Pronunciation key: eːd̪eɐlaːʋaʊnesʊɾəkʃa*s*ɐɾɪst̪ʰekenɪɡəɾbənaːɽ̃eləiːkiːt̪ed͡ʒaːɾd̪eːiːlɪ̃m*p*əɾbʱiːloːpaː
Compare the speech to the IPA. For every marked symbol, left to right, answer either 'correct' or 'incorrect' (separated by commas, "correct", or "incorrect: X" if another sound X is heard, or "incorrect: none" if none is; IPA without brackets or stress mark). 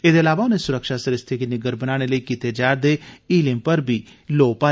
correct, correct